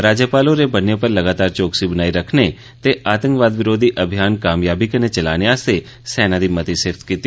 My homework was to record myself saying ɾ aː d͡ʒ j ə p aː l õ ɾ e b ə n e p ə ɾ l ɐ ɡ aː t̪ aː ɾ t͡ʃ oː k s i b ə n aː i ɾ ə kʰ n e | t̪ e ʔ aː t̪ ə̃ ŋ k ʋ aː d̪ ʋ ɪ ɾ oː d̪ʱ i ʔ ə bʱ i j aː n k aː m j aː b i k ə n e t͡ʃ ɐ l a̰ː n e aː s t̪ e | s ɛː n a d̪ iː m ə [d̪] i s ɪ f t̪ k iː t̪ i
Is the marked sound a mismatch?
yes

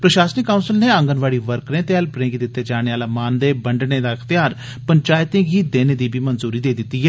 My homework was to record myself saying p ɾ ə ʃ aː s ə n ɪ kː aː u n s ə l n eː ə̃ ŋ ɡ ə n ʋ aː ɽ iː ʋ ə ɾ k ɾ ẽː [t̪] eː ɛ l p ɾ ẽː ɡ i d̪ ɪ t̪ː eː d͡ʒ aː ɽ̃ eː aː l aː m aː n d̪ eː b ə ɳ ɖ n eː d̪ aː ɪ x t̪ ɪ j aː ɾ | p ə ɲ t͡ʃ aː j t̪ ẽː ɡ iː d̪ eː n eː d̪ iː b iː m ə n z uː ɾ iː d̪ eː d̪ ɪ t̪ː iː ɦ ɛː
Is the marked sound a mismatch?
no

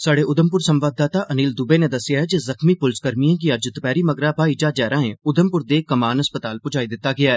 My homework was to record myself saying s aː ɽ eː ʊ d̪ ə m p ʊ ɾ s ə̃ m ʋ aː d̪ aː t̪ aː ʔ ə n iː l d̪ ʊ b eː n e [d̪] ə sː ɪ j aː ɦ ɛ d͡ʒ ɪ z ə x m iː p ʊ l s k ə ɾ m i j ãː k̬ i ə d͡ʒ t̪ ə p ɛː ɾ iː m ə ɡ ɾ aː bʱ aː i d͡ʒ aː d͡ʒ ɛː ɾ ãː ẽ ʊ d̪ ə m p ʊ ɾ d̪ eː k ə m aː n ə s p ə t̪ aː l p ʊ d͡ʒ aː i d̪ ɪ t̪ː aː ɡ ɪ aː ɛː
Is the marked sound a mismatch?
no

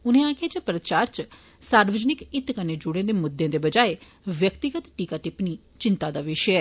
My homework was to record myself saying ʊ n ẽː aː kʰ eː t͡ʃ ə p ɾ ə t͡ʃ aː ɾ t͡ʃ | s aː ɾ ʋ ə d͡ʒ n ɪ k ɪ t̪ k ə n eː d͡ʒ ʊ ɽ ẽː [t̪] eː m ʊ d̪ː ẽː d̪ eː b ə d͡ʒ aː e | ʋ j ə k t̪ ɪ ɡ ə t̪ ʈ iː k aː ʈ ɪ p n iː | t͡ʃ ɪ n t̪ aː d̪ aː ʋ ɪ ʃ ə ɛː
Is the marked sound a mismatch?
yes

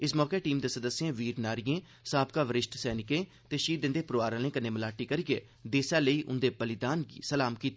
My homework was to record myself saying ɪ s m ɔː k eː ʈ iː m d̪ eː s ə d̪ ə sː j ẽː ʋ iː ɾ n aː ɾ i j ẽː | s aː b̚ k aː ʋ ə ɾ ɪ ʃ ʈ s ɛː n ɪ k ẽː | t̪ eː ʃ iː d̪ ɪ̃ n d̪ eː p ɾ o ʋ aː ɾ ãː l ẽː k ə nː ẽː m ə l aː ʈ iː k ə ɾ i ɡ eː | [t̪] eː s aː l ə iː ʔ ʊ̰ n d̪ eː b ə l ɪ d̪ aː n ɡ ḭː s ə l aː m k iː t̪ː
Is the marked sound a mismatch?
yes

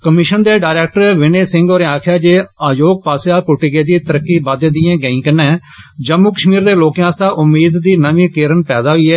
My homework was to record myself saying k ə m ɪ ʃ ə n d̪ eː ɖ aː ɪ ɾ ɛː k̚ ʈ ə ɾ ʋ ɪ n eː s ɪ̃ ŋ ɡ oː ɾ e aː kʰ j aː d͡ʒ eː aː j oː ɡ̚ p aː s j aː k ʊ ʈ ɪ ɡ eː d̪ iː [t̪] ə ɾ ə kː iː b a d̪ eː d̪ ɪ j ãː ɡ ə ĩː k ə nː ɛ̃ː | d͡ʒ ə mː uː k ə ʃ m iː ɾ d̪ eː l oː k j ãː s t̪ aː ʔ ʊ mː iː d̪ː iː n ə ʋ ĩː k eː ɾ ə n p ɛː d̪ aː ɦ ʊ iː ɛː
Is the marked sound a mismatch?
no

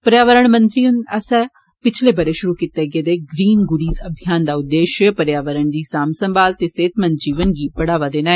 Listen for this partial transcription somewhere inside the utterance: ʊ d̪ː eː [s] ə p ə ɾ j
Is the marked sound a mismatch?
yes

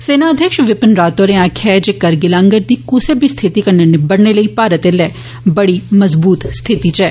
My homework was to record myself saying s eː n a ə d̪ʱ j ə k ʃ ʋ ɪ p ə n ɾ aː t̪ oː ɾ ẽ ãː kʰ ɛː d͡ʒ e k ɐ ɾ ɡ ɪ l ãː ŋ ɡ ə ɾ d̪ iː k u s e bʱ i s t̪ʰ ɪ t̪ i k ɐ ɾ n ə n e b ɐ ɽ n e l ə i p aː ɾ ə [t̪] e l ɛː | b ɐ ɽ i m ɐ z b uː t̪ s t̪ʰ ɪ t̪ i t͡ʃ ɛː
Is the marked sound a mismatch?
no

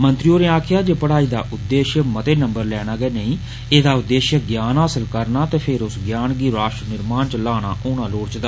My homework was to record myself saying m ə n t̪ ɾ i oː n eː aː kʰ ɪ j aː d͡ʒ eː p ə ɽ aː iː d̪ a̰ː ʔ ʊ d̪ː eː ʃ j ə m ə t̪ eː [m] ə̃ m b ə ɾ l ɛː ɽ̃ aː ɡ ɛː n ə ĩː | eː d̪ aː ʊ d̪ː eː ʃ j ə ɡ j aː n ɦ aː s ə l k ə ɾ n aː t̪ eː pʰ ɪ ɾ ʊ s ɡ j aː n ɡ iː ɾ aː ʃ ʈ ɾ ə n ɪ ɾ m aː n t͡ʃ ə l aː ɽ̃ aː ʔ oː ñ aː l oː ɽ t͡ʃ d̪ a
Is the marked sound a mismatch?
yes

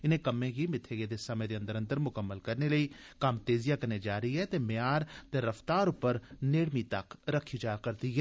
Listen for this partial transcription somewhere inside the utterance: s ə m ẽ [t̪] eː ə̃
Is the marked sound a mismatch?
yes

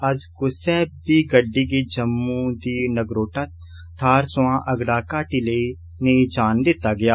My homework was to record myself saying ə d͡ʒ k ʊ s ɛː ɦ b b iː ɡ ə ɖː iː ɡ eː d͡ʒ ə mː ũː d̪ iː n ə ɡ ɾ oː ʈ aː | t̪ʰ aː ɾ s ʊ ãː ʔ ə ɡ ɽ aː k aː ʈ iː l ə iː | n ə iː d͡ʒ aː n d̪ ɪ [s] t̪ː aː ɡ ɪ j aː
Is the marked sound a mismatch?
yes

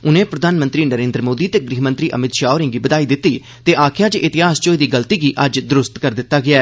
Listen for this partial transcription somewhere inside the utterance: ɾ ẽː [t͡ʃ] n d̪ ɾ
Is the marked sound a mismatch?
yes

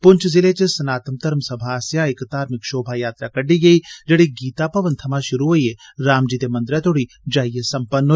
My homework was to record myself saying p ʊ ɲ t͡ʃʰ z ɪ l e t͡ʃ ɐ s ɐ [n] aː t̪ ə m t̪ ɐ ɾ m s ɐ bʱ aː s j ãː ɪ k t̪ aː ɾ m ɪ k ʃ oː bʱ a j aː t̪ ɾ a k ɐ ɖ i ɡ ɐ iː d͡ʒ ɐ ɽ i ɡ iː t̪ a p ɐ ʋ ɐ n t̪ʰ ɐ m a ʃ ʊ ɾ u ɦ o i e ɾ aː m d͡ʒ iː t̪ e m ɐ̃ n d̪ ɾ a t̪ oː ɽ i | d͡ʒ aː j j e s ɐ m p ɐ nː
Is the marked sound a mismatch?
no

